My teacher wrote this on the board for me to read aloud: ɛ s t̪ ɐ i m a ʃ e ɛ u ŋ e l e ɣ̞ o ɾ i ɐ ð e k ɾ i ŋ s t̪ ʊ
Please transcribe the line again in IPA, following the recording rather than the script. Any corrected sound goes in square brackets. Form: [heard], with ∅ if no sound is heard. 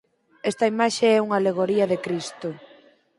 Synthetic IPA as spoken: ɛ s t̪ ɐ i m a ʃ e ɛ u ŋ [a] l e ɣ̞ o ɾ i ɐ ð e k ɾ i [∅] s t̪ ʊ